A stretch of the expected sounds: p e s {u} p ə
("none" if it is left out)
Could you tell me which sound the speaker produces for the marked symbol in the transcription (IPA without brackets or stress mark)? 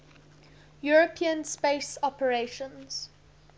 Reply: ɔ